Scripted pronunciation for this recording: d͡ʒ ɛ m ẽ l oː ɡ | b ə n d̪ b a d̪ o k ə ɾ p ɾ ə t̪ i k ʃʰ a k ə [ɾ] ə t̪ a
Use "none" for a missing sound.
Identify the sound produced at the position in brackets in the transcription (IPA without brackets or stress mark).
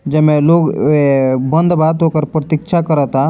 ɾ